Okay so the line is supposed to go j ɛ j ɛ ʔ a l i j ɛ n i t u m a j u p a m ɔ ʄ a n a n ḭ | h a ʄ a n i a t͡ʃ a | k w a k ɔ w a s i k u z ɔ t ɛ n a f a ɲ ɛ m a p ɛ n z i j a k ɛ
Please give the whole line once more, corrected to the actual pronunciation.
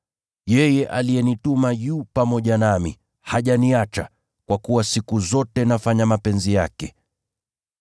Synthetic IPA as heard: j ɛ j ɛ ʔ a l i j ɛ n i t u m a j u p a m ɔ ʄ a n a m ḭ | h a ʄ a n i a t͡ʃ a | k w a k u w a s i k u z ɔ t ɛ n a f a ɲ a m a p ɛ n z i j a k ɛ